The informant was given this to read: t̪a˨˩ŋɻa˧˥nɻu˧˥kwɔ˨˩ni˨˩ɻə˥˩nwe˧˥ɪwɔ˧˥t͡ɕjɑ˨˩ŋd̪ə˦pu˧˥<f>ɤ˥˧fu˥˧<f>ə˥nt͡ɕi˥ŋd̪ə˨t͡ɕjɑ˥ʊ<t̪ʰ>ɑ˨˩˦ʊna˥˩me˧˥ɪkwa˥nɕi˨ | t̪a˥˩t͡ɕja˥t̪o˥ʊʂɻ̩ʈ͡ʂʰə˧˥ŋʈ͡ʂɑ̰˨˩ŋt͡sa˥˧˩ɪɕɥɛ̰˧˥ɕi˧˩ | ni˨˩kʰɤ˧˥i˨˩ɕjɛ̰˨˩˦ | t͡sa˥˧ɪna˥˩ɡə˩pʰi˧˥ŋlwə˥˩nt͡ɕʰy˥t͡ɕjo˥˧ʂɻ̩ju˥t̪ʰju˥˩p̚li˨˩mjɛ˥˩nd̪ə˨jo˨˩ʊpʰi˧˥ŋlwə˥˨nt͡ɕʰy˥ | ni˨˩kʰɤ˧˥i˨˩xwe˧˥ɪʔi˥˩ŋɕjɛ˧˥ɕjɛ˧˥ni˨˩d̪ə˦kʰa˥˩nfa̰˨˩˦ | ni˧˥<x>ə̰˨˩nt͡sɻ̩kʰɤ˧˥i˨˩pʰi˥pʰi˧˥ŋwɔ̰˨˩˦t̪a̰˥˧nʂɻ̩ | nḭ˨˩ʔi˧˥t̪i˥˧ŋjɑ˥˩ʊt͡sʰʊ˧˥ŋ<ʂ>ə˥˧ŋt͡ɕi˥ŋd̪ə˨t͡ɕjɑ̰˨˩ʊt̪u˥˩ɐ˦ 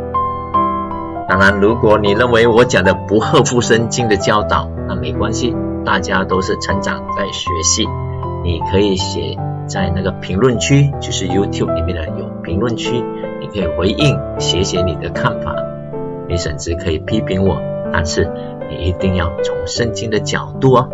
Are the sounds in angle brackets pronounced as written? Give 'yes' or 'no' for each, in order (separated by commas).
no, no, no, no, yes